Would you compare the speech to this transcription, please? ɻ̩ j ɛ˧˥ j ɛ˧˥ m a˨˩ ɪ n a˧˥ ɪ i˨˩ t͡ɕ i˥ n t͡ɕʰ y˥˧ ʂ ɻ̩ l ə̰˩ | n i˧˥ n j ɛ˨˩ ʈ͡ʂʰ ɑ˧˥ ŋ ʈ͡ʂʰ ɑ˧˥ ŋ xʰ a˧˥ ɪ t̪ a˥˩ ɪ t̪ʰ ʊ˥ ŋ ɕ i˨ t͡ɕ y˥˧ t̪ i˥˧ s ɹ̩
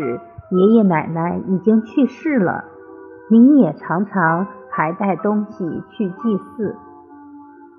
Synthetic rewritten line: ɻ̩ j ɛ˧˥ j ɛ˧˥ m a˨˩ ɪ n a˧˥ ɪ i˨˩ t͡ɕ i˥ ŋ t͡ɕʰ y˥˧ ʂ ɻ̩ l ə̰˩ | n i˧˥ n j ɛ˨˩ ʈ͡ʂʰ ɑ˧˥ ŋ ʈ͡ʂʰ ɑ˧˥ ŋ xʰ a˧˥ ɪ t̪ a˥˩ ɪ t̪ ʊ˥ ŋ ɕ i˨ t͡ɕʰ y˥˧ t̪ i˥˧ s ɹ̩